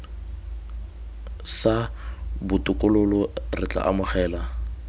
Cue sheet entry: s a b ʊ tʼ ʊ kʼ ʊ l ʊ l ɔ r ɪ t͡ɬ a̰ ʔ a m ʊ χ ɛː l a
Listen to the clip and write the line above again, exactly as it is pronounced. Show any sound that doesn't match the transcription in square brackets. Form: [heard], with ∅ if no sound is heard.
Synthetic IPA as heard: s a b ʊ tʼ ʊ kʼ ʊ l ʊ l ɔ r ɪ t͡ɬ a̰ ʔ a m ʊ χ ɛː l a